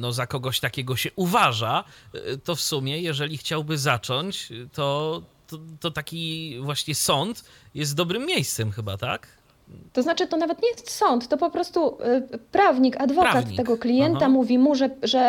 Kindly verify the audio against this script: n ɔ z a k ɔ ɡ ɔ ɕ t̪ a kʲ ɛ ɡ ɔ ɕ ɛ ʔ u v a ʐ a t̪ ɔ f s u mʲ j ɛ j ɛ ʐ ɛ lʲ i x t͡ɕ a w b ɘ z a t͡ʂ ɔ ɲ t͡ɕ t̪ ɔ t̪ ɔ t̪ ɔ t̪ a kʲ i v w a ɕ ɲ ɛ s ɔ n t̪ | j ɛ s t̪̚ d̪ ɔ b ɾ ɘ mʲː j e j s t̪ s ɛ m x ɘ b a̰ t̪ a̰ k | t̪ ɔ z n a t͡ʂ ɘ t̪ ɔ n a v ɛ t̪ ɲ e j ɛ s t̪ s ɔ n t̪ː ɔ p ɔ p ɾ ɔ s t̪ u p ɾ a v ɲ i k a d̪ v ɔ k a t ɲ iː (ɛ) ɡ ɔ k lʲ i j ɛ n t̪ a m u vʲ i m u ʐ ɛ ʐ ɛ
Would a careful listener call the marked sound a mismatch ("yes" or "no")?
no